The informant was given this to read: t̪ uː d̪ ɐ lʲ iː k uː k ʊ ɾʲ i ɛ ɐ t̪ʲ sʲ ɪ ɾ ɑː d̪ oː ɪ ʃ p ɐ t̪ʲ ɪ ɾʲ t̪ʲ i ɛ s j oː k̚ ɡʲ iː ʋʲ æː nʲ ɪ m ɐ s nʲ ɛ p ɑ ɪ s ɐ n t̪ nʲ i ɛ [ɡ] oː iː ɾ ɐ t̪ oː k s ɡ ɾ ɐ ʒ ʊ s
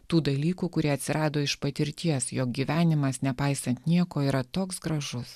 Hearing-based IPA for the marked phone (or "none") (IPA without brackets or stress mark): k